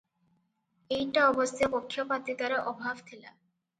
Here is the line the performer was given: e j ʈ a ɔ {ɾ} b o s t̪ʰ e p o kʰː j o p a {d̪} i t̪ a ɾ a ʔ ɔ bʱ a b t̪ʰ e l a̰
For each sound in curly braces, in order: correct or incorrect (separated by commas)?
incorrect, incorrect